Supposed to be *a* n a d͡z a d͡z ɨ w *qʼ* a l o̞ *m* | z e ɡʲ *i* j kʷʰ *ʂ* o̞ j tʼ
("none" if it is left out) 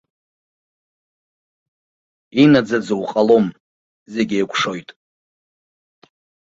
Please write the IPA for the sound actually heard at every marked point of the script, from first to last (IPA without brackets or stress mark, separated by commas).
i, qʼ, m, e, ʂ